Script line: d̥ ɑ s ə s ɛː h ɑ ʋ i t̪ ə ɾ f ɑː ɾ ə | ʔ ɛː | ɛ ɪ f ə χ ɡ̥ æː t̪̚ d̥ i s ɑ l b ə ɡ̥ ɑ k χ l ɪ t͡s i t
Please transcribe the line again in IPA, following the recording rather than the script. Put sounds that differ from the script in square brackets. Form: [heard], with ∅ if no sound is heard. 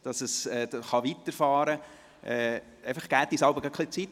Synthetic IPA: d̥ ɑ s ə s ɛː [χ] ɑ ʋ i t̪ ə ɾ f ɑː ɾ ə | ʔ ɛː | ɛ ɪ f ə χ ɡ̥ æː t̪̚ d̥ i s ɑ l b ə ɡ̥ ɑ k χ l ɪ t͡s i t